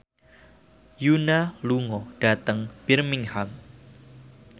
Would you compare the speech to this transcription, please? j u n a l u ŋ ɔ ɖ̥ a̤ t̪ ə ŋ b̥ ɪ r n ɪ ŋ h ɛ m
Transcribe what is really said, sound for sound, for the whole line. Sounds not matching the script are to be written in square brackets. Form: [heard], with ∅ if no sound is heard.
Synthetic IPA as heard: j u n a l u ŋ ɔ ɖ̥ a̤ t̪ ə ŋ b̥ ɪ r [m] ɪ ŋ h [a] m